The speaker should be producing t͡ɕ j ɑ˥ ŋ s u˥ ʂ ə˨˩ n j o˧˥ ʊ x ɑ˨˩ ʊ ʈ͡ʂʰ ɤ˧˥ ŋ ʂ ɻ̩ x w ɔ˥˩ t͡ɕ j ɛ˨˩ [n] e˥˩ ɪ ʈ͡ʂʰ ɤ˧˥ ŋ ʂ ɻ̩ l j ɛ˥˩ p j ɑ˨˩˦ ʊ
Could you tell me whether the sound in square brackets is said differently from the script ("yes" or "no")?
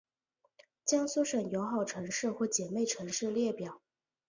yes